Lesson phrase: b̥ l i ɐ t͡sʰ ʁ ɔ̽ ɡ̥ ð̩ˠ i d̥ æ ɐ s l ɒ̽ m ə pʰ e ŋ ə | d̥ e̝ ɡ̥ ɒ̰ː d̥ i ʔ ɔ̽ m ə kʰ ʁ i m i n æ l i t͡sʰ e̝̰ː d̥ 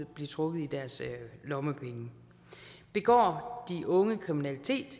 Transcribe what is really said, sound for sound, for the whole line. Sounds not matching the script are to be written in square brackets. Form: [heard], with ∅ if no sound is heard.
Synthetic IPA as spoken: b̥ l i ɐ t͡sʰ ʁ ɔ̽ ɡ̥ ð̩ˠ i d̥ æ ɐ s l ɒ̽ m ə pʰ e ŋ ə | [b̥] e̝ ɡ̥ ɒ̰ː d̥ i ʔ ɔ̽ [ŋ] ə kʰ ʁ i m i n æ l i t͡sʰ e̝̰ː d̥